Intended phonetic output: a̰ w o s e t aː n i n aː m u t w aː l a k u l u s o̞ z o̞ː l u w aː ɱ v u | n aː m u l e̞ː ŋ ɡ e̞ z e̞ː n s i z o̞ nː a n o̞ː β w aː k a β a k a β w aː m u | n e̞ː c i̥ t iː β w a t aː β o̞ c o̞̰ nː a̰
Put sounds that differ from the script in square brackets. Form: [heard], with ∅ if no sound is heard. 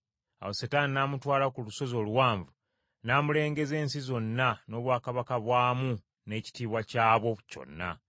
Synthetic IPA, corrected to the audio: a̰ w o s e t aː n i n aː m u t w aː l a k u l u s o̞ z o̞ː l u w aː ɱ v u | n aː m u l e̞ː ŋ ɡ e̞ z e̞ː n s i z o̞ nː a n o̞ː β w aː k a β a k a β w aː m u | n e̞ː c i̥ t iː β w a [c] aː β o̞ c o̞̰ nː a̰